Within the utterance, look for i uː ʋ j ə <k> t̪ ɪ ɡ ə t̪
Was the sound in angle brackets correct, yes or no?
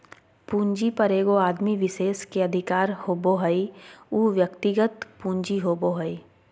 yes